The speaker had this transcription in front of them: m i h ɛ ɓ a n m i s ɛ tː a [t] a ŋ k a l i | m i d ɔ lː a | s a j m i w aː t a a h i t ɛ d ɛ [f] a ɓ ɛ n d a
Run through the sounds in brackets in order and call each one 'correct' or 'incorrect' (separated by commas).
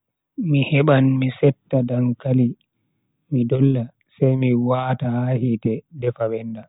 incorrect, correct